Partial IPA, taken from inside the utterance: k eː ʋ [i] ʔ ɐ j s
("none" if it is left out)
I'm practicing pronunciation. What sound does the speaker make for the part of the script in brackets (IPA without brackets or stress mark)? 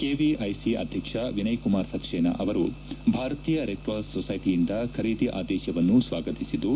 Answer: i